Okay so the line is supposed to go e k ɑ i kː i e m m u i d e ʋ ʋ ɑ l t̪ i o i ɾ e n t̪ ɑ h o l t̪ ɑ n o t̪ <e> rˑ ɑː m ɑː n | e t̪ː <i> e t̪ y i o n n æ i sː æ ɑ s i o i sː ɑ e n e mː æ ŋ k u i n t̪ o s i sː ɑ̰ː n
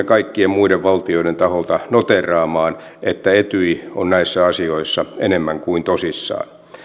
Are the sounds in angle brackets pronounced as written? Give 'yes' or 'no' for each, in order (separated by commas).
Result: yes, no